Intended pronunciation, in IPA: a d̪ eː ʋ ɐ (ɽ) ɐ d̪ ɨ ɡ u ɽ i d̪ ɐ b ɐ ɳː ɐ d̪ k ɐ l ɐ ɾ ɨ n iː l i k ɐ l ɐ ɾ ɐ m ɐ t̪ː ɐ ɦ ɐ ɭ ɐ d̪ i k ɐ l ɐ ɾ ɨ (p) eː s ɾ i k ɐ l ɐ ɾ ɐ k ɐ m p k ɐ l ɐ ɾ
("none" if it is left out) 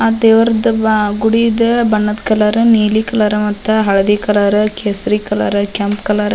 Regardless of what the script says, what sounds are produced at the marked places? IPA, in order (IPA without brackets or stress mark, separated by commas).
ɾ, k